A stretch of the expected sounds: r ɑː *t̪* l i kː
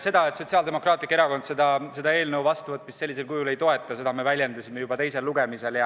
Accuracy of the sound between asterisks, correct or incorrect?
correct